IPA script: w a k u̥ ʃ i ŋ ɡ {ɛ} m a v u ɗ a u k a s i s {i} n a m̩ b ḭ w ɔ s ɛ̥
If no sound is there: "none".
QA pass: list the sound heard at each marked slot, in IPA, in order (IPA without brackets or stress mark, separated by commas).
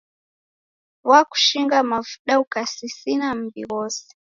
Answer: a, i